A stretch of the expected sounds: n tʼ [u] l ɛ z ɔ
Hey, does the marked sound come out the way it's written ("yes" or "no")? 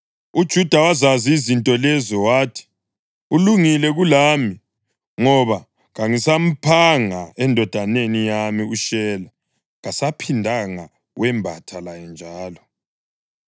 no